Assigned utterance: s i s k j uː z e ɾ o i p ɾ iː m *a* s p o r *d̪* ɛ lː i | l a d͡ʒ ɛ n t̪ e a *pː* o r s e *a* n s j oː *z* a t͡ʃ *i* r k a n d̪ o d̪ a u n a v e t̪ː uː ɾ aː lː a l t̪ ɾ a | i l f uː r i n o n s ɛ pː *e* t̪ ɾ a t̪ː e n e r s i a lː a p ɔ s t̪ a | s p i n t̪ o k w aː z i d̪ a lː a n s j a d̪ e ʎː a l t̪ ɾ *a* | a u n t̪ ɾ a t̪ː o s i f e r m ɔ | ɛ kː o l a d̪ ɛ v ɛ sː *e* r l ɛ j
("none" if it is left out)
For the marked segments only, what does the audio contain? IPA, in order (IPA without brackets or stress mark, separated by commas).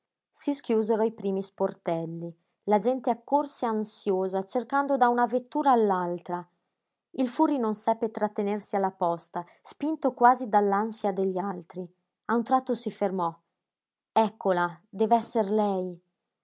i, t̪, kː, a, z, e, e, i, e